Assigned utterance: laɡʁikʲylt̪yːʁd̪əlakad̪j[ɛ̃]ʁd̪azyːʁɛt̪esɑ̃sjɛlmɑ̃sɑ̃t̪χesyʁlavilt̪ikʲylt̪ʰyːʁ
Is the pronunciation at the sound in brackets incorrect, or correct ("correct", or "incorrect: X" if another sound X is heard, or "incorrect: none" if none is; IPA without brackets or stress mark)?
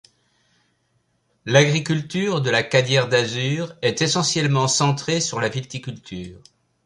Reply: incorrect: ɛ